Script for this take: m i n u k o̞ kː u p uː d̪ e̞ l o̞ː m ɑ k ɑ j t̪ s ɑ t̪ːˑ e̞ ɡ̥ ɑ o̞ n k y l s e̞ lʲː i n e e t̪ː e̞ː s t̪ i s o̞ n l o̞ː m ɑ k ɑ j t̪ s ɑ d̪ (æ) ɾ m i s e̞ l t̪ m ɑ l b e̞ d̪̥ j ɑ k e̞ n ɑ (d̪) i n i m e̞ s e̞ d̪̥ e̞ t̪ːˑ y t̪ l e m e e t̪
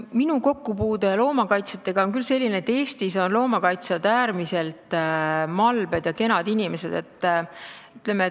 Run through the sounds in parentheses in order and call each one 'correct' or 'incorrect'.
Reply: incorrect: æː, correct

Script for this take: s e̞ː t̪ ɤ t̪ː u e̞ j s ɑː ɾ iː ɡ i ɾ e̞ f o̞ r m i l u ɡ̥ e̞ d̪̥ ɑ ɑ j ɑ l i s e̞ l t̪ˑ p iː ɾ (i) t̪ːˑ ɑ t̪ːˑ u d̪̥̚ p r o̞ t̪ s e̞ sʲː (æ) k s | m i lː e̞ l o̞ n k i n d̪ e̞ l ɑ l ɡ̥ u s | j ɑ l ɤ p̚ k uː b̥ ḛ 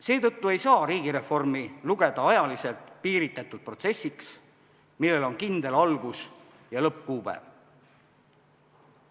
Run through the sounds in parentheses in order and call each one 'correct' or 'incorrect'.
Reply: correct, incorrect: i

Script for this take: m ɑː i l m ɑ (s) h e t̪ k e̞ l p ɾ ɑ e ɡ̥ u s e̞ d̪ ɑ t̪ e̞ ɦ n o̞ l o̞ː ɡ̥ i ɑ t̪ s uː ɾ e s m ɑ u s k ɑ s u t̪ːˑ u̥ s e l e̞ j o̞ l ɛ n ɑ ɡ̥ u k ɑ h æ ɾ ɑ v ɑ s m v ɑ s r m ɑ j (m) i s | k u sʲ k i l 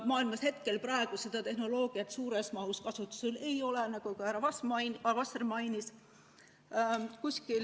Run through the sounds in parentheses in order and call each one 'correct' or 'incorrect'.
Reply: correct, incorrect: n

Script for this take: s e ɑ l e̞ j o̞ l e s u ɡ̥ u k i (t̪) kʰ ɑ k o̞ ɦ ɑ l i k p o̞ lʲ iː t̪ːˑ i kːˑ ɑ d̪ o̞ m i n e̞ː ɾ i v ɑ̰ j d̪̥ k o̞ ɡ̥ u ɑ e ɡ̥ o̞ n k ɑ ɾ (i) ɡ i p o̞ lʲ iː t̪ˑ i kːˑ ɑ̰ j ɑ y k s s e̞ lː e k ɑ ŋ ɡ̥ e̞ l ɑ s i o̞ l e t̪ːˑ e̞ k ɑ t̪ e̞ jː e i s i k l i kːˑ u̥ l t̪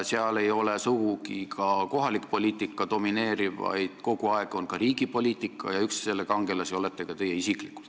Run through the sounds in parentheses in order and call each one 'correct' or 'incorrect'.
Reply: incorrect: none, incorrect: iː

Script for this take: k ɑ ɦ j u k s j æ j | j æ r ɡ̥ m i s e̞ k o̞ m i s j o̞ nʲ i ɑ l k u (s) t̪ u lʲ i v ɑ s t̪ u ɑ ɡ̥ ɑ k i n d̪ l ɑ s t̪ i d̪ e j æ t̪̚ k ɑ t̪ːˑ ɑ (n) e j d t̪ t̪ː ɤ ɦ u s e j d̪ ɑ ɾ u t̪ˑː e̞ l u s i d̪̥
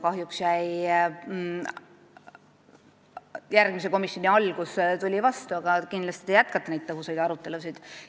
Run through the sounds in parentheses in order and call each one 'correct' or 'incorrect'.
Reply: correct, correct

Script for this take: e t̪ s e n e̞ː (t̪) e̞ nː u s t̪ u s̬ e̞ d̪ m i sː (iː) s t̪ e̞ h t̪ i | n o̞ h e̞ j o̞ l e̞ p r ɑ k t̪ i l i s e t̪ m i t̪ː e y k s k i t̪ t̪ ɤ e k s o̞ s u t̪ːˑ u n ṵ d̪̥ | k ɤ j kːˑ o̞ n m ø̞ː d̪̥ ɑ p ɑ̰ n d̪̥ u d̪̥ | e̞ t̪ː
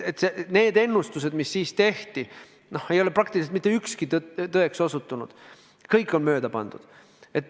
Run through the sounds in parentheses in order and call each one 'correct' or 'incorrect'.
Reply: incorrect: d̪, correct

